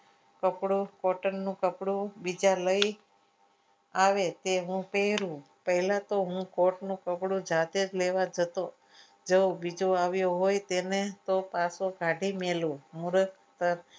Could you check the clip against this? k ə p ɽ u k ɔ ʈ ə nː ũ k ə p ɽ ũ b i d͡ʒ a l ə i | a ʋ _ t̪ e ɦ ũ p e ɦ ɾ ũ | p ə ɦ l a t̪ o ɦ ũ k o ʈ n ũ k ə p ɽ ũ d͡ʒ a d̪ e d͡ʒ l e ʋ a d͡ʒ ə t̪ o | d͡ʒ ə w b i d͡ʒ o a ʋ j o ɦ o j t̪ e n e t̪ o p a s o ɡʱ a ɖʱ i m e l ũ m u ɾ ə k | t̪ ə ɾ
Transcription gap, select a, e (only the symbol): e